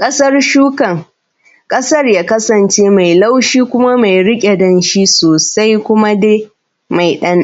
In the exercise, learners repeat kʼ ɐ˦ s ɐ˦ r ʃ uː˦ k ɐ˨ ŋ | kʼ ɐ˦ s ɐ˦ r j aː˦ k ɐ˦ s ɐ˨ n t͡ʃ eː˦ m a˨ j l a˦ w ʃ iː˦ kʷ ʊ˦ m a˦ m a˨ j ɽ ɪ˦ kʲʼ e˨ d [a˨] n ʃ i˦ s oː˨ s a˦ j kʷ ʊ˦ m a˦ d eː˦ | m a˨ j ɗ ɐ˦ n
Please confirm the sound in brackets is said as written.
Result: no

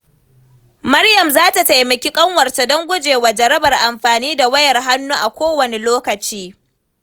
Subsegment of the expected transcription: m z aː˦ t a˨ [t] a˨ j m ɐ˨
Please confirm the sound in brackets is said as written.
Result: yes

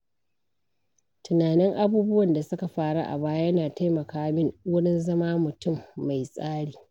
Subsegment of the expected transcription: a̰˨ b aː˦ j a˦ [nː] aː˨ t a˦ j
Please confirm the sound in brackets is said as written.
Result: no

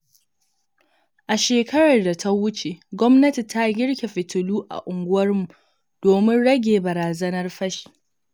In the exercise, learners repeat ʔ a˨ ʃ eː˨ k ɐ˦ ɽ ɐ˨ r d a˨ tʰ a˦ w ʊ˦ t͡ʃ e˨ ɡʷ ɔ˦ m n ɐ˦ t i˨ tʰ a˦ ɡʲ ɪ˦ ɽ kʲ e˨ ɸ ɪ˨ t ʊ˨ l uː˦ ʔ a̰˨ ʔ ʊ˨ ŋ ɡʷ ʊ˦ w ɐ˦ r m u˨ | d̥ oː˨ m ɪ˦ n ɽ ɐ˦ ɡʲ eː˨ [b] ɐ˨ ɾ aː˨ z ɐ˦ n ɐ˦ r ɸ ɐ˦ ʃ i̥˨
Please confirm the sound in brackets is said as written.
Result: yes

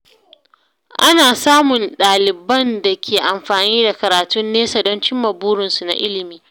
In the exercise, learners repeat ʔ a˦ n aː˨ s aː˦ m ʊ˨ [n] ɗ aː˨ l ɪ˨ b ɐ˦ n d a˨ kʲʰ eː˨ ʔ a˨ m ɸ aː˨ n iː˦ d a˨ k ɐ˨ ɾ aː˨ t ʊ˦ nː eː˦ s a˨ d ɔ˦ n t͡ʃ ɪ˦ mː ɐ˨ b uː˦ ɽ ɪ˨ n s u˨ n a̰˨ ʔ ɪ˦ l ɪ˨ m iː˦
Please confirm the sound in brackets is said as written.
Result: yes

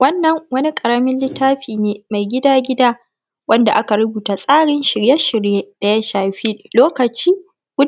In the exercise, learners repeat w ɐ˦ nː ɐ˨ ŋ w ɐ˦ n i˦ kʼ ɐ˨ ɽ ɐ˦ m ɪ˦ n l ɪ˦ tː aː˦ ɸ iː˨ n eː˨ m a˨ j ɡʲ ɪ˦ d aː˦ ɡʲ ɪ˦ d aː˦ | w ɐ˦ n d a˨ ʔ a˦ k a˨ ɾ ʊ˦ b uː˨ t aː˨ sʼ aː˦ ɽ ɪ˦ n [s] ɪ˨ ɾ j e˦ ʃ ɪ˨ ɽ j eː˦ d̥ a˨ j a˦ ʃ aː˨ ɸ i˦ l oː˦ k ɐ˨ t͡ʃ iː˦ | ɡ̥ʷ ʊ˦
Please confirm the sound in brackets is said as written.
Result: no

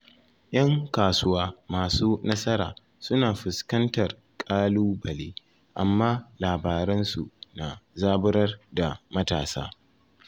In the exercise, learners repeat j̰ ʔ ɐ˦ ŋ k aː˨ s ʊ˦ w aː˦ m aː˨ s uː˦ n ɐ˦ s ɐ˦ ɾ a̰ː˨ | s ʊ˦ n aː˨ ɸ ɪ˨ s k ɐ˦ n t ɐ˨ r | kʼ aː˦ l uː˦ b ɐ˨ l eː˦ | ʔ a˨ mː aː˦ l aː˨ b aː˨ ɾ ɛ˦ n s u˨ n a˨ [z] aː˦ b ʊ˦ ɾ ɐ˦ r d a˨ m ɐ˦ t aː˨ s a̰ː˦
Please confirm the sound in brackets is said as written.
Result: yes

